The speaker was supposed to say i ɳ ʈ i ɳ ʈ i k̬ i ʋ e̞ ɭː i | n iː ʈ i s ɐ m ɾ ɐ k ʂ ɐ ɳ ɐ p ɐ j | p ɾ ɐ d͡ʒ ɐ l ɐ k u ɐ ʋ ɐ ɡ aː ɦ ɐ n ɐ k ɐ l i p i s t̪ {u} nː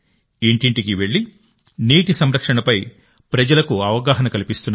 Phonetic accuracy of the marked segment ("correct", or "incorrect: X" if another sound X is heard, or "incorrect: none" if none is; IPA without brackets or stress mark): correct